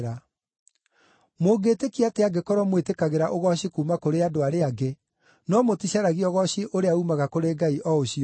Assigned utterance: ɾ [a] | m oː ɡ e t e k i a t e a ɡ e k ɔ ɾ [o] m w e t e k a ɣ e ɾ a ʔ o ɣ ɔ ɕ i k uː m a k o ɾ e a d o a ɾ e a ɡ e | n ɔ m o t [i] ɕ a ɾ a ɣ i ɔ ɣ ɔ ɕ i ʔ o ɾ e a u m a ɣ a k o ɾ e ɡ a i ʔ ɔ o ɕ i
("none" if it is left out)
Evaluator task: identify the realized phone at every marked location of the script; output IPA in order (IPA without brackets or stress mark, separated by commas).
a, ɔ, i